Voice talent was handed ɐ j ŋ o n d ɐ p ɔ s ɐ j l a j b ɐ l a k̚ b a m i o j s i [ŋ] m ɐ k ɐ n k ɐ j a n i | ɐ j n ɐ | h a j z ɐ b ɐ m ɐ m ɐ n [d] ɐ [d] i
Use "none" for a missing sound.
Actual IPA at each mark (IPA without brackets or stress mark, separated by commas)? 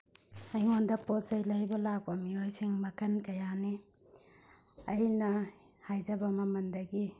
ŋ, d, ɡ